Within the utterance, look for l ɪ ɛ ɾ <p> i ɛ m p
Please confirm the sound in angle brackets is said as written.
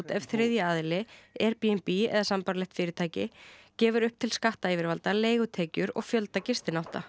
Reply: yes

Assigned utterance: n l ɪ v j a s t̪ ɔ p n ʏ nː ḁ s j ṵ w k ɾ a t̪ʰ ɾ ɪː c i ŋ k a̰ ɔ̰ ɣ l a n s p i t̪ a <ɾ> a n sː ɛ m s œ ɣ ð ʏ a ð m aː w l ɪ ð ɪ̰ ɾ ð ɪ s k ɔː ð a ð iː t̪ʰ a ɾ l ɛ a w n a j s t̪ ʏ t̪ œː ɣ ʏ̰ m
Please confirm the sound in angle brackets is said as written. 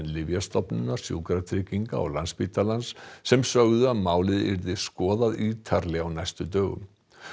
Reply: no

